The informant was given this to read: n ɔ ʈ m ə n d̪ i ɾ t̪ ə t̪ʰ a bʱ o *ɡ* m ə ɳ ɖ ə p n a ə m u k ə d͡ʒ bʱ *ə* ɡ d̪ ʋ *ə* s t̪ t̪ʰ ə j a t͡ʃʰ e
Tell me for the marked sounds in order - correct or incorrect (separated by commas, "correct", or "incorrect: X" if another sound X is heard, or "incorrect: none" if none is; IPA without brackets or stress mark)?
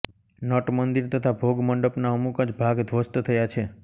correct, incorrect: a, correct